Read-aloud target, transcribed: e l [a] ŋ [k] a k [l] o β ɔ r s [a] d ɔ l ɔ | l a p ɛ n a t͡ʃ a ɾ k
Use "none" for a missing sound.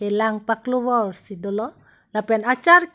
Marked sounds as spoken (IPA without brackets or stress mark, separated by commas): a, p, l, i